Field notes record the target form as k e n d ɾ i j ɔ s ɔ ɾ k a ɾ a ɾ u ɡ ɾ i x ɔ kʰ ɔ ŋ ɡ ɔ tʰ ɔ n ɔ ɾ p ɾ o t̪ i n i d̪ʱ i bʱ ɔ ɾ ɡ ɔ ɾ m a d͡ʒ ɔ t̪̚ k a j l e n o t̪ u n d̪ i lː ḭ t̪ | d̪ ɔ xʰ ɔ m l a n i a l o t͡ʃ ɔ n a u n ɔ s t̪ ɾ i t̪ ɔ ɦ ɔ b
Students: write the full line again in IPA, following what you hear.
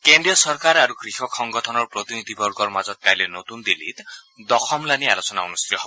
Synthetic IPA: k e n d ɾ i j ɔ s ɔ ɾ k a ɾ a ɾ u ɡ ɾ i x ɔ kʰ ɔ ŋ ɡ ɔ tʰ ɔ n ɔ ɾ p ɾ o t̪ i n i d̪ʱ i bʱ ɔ ɾ ɡ ɔ ɾ m a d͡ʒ ɔ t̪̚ k a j l e n o t̪ u n d̪ i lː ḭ t̪ | d̪ ɔ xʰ ɔ m l a n i a l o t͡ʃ ɔ n a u n u s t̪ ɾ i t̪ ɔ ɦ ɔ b